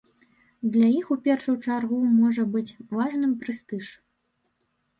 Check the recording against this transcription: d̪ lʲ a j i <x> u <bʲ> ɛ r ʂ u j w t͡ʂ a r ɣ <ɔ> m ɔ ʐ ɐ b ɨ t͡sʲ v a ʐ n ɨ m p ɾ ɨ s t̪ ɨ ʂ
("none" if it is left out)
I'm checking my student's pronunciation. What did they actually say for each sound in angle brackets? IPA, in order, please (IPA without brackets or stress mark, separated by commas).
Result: x, pʲ, u